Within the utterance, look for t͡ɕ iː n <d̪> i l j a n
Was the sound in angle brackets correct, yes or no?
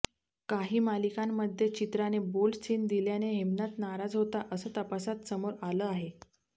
yes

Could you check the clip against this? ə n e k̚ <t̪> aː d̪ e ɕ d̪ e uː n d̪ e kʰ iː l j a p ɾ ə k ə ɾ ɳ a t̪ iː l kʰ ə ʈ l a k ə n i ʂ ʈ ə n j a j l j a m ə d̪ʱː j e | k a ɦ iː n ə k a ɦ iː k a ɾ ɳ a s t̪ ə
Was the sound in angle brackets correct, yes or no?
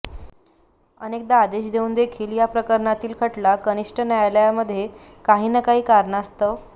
no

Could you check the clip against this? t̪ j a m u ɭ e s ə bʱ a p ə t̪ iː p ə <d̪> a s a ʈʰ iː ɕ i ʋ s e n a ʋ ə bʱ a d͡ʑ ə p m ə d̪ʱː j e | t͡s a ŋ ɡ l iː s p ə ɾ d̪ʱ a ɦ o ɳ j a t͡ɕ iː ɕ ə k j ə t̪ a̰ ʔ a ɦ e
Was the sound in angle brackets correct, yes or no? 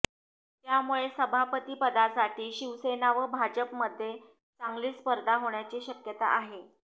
yes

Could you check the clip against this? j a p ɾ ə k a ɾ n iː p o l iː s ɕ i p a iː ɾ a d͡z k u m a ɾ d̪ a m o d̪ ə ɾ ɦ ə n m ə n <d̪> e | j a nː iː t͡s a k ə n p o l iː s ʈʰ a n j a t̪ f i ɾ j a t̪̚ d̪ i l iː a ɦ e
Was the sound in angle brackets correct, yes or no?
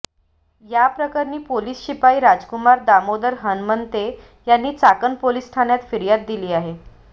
no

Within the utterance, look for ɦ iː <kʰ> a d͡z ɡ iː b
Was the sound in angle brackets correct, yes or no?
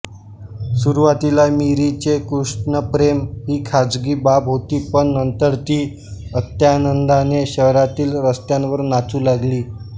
yes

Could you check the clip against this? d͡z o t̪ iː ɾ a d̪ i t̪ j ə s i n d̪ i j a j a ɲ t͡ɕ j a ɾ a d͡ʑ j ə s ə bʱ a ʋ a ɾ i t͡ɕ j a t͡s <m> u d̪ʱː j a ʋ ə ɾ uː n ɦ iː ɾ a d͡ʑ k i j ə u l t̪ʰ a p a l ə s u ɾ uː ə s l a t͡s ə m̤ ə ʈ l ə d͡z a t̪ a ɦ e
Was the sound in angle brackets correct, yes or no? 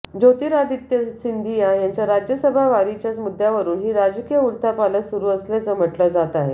yes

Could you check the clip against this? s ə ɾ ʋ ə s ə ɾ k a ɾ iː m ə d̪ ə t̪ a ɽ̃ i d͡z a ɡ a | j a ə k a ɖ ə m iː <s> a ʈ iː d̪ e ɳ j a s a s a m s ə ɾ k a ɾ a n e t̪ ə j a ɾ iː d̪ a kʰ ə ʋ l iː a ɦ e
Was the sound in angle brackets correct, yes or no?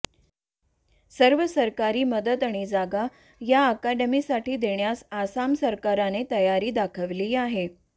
yes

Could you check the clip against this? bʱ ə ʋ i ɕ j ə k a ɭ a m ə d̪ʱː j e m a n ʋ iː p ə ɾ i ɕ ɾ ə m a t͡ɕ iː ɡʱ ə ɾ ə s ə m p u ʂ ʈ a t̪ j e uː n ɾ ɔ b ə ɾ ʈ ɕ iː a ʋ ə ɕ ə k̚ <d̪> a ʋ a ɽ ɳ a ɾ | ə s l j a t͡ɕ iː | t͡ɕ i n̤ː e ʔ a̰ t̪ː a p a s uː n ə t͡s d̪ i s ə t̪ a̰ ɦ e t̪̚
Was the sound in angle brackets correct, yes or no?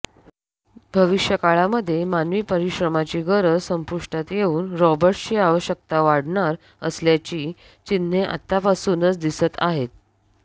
no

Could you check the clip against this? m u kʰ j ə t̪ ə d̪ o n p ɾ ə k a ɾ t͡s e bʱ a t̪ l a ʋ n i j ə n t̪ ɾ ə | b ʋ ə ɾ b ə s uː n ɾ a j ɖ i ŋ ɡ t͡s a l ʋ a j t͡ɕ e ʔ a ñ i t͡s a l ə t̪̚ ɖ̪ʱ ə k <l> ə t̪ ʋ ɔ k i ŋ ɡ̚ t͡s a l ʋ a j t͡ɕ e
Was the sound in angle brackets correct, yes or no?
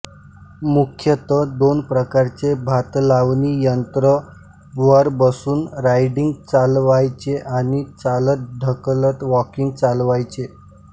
yes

